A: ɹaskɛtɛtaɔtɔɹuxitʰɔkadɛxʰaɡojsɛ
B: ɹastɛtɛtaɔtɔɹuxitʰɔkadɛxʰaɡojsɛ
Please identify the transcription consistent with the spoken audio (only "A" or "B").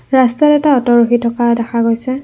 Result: B